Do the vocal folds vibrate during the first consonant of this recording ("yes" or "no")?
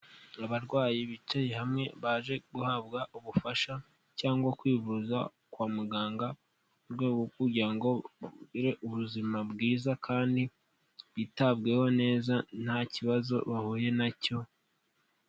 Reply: yes